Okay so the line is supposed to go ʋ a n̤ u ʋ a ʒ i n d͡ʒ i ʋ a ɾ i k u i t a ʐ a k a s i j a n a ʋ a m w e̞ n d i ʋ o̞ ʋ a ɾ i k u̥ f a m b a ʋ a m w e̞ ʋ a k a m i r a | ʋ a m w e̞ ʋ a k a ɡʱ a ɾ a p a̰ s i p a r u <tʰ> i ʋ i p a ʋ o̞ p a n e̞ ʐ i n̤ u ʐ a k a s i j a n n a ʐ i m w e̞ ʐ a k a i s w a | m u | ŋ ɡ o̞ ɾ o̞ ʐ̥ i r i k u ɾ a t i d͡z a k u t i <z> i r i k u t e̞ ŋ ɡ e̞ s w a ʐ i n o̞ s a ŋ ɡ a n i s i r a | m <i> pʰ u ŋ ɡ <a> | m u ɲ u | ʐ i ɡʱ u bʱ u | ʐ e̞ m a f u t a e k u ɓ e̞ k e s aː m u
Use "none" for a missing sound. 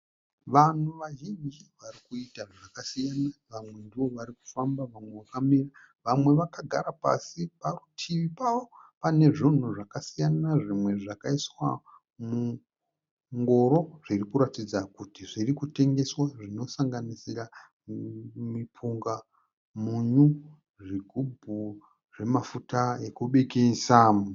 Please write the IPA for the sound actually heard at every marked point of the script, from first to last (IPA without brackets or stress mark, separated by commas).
tʰ, ʐ, i, a